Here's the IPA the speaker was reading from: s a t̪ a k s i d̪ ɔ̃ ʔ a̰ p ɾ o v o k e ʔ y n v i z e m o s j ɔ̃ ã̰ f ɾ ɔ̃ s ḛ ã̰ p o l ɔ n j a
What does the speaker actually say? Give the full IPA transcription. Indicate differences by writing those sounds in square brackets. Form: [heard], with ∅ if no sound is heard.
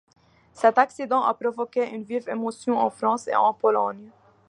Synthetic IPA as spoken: s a t̪ a k s i d̪ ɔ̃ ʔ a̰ p ɾ o v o k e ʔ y n v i [v] e m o s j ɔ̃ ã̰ f ɾ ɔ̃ s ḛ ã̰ p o l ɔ n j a

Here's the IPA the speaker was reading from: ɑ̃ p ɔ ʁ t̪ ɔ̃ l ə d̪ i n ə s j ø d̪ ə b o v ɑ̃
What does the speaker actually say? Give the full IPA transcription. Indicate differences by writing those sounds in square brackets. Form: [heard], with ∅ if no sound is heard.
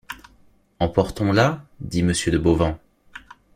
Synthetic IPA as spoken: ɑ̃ p ɔ ʁ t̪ ɔ̃ l [a] d̪ i [m] ə s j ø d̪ ə b o v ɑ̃

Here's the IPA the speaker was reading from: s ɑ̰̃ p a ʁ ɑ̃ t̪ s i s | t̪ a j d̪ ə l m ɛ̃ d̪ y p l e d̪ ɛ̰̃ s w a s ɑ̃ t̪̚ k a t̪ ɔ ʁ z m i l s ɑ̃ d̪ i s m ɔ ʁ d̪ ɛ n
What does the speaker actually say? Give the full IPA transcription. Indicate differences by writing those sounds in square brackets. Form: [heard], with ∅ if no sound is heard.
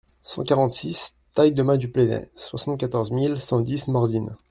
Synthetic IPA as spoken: s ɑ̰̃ [k] a ʁ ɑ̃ t̪ s i s | t̪ a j d̪ ə [∅] m ɛ̃ d̪ y p l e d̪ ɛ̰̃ s w a s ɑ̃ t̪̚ k a t̪ ɔ ʁ z m i l s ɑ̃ d̪ i s m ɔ ʁ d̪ [i] n

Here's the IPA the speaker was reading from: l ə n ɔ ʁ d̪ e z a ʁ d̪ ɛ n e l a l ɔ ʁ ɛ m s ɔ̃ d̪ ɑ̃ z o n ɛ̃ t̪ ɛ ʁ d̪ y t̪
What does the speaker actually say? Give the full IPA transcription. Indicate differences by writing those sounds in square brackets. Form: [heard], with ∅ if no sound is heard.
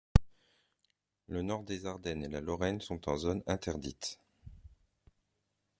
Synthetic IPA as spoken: l ə n ɔ ʁ d̪ e z a ʁ d̪ ɛ n e l a l ɔ ʁ ɛ [n] s ɔ̃ [t̪] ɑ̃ z o n ɛ̃ t̪ ɛ ʁ d̪ [i] t̪

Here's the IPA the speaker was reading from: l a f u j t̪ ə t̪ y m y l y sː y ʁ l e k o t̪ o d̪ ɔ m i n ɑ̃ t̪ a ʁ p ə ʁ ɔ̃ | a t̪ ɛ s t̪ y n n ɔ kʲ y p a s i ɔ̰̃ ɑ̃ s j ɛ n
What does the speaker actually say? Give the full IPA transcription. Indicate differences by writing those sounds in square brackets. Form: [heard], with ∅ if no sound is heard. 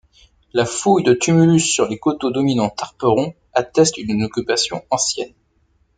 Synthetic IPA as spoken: l a f u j [d̪] ə t̪ y m y l y sː y ʁ l e k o t̪ o d̪ ɔ m i n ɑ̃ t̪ a ʁ p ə ʁ ɔ̃ | a t̪ ɛ s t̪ y n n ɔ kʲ y p a s [j] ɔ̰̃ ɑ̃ s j ɛ n

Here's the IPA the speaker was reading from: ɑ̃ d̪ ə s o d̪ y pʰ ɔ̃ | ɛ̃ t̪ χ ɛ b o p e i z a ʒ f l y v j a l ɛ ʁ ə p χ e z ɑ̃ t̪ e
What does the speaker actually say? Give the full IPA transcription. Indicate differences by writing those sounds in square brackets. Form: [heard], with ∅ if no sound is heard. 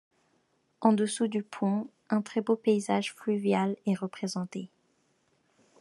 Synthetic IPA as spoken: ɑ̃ d̪ ə s [u] d̪ y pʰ ɔ̃ | ɛ̃ t̪ χ ɛ b o p e i z a ʒ f l y v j a l ɛ ʁ ə p χ e z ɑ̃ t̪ e

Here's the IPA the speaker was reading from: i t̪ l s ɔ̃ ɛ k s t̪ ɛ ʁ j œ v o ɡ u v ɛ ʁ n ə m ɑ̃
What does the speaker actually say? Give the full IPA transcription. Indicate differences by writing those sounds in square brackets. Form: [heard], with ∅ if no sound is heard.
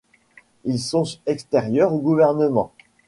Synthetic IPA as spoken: i [∅] l s ɔ̃ ɛ k s t̪ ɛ ʁ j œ [ʁ] o ɡ u v ɛ ʁ n ə m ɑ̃

